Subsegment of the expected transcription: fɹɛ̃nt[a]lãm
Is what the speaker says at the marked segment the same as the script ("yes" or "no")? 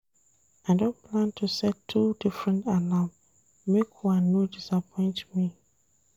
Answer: yes